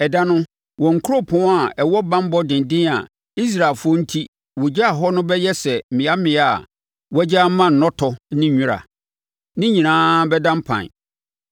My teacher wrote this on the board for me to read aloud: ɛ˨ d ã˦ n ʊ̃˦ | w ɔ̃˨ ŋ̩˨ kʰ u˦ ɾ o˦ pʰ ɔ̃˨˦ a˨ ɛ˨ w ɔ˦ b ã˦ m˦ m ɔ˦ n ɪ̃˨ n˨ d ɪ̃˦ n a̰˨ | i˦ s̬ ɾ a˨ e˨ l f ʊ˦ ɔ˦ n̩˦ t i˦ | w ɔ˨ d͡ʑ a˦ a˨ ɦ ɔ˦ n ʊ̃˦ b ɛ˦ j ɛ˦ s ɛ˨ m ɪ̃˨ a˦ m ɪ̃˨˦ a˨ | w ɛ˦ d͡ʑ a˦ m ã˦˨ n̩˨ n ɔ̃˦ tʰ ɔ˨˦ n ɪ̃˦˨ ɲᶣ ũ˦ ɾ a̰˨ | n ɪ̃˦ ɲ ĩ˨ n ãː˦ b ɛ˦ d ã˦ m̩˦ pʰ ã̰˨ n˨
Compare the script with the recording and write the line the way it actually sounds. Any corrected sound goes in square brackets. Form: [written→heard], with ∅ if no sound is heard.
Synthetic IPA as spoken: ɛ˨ d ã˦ n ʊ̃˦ | w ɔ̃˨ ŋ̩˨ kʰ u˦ ɾ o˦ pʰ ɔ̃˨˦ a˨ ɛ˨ w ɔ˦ b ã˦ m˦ [m→b] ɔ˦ [n→d] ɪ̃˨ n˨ d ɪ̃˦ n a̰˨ | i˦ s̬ ɾ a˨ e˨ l f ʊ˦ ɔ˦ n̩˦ [t→tʰ] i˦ | w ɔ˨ d͡ʑ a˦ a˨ ɦ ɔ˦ n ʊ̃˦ b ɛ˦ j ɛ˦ s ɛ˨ m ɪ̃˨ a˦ m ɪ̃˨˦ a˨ | w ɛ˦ d͡ʑ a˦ m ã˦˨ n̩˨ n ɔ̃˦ tʰ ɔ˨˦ n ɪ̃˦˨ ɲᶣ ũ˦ ɾ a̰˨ | n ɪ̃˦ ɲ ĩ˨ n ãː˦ b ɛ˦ d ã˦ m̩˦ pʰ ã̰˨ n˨